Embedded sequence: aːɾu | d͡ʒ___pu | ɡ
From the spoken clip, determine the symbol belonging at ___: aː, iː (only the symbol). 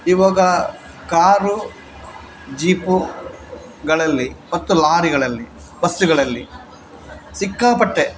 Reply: iː